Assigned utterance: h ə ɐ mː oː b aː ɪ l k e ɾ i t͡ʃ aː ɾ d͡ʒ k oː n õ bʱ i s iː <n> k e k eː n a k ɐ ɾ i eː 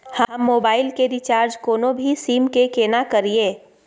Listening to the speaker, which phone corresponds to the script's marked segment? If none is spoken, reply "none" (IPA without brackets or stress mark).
m